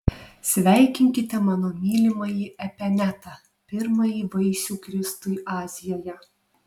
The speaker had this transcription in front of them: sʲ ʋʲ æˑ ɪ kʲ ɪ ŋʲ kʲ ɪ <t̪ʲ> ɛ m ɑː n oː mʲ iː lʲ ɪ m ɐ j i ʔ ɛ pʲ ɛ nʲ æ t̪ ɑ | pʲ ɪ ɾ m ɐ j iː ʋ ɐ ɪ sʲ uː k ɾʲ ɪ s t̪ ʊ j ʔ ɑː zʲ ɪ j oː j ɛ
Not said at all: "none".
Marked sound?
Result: t̪ʲ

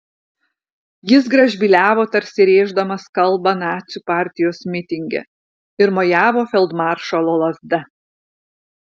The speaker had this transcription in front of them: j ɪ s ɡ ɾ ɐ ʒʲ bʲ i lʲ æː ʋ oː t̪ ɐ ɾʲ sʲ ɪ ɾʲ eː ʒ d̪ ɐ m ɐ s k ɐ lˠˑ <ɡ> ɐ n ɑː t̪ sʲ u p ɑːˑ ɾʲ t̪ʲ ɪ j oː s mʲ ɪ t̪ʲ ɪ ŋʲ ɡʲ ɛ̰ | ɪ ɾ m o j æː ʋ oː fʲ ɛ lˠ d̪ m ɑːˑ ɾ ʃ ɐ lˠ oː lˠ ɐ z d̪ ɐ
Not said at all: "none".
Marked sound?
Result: b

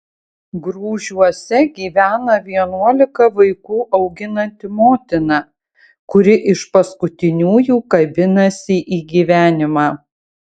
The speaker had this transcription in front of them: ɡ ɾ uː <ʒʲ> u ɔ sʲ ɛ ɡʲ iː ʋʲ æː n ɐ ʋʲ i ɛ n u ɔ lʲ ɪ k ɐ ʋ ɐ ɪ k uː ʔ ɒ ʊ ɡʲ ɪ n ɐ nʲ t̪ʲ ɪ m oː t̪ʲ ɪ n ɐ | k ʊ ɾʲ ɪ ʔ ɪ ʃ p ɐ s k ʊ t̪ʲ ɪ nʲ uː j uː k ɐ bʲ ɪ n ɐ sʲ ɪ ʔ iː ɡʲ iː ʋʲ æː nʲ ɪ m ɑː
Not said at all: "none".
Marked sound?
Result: ʒʲ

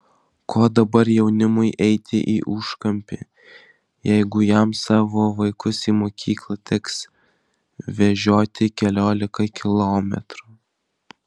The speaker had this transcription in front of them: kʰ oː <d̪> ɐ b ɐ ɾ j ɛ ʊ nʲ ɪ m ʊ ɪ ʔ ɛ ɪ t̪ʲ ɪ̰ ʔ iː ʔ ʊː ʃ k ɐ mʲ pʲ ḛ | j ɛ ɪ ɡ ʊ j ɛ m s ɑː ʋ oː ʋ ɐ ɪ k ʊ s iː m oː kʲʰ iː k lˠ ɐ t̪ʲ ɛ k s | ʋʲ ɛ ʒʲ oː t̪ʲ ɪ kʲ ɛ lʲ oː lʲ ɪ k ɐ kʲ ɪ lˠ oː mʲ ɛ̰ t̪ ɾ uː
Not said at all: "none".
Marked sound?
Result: d̪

